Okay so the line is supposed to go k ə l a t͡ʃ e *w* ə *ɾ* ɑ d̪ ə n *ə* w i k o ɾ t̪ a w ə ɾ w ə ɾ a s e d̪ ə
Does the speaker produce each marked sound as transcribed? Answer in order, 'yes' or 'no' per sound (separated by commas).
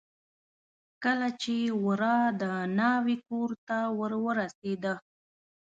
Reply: yes, yes, no